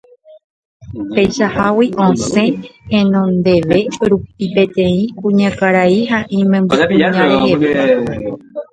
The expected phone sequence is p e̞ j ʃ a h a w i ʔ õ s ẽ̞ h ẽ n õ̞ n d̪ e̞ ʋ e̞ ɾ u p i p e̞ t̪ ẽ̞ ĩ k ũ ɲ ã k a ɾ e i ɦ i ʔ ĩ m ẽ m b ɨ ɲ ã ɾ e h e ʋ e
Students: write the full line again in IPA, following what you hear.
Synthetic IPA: p e̞ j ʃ a h a w i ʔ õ s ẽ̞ h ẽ n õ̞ n d̪ e̞ ʋ e̞ ɾ u p i p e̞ t̪ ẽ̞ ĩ k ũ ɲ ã k a ɾ a i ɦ a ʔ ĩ m ẽ m b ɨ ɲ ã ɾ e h e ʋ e